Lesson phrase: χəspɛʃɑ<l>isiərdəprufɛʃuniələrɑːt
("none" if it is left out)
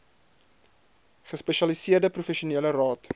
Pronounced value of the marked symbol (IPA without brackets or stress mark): l